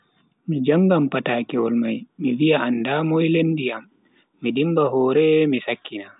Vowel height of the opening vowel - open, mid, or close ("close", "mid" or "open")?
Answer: close